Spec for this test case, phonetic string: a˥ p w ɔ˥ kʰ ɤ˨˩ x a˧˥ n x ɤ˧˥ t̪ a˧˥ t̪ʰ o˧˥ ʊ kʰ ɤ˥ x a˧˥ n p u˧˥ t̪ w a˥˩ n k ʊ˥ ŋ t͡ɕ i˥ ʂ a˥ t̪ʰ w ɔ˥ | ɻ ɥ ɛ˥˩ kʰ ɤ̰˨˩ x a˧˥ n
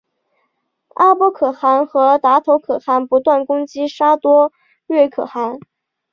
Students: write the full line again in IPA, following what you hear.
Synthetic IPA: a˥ p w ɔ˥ kʰ ɤ˨˩ x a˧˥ n x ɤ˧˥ t̪ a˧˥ t̪ʰ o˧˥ ʊ kʰ ɤ˨˩ x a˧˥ n p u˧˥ t̪ w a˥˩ n k ʊ˥ ŋ t͡ɕ i˥ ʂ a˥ t̪ w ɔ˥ | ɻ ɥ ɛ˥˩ kʰ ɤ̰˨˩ x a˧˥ n